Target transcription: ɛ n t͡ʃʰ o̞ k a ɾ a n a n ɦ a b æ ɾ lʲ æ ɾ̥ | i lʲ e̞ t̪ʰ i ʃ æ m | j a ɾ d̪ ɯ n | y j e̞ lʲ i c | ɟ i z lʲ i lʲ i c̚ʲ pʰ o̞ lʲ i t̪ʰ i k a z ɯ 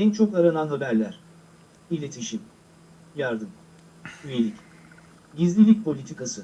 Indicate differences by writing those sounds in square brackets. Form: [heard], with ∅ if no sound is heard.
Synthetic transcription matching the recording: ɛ n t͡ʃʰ o̞ k a ɾ a n a n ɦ a b æ ɾ lʲ æ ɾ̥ | i lʲ e̞ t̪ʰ i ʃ [i] m | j a ɾ d̪ ɯ [m] | y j e̞ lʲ i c | ɟ i z lʲ i lʲ i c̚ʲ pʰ o̞ lʲ i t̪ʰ i k a [s] ɯ